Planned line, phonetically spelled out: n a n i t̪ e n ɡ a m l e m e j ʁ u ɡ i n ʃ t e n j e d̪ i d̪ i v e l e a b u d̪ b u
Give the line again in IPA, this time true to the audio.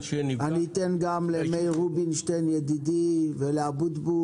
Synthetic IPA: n a n i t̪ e n ɡ a m l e m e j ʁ u b i n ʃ t e n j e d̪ i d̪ i v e l e a b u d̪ b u